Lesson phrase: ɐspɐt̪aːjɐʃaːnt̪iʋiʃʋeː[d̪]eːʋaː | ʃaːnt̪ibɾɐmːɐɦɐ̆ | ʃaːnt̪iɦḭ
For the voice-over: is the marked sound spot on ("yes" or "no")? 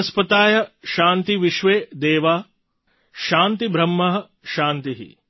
yes